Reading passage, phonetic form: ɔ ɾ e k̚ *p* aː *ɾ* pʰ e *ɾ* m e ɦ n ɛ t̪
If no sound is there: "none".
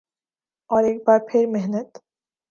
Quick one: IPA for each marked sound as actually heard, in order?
b, ɾ, ɾ

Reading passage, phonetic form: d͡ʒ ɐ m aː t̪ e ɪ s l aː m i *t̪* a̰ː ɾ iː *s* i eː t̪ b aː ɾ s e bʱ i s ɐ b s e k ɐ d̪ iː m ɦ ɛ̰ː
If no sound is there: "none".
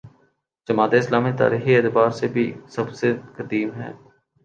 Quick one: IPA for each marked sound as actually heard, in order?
t̪, x

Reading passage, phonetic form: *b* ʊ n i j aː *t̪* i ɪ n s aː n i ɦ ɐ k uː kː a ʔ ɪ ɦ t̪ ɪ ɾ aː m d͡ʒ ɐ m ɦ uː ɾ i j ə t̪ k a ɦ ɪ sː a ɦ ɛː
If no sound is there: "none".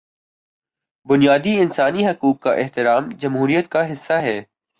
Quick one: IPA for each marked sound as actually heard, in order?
b, d̪

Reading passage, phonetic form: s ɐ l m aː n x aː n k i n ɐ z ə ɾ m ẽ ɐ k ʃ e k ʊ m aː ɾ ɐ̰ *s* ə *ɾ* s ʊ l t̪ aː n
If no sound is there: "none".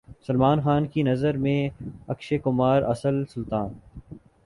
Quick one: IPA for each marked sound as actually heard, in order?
s, l

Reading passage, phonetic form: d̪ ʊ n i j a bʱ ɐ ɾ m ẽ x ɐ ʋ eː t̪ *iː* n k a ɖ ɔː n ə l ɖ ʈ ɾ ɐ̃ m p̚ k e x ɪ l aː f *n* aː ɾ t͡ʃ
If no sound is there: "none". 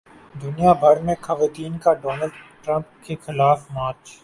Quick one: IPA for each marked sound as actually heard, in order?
iː, m

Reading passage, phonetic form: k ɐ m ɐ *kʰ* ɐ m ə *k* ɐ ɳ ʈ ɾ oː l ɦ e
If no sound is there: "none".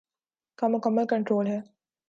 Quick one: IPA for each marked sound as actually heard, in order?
k, k

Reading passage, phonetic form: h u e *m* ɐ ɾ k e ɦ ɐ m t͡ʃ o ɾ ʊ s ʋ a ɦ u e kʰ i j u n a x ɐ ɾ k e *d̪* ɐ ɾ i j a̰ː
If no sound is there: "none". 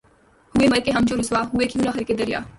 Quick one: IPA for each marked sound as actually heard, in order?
m, d̪

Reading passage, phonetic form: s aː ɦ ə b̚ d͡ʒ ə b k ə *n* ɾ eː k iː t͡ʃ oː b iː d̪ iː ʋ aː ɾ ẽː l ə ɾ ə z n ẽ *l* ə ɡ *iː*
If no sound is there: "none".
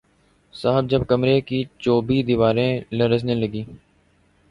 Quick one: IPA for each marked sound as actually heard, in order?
m, l, iː

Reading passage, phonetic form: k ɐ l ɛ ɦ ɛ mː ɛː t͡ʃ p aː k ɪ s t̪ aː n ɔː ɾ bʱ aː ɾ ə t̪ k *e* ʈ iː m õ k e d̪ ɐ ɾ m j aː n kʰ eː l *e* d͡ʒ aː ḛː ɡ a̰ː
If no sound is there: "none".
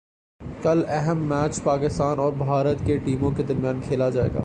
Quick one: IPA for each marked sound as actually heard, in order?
e, a

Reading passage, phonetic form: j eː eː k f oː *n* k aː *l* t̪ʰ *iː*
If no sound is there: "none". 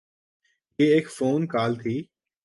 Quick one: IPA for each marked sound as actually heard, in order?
n, l, iː

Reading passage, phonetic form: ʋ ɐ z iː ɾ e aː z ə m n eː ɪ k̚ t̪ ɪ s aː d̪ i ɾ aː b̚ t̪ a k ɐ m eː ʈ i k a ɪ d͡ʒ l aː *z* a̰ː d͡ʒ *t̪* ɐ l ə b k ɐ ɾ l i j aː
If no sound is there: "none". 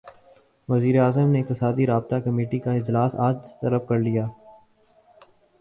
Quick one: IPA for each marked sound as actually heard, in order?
s, t̪

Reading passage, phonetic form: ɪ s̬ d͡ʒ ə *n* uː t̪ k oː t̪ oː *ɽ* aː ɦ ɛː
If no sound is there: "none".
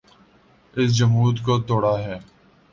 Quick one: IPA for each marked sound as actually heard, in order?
m, ɽ

